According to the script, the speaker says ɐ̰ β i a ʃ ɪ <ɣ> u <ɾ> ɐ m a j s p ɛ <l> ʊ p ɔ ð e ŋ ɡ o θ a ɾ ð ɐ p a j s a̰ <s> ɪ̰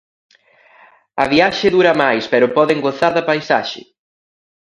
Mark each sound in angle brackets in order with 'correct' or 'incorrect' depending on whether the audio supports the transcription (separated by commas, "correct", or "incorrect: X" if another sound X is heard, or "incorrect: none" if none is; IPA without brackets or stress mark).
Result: incorrect: ð, correct, incorrect: ɾ, incorrect: ʃ